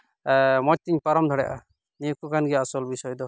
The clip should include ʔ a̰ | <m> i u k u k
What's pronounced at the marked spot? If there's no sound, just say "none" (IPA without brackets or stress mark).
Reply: n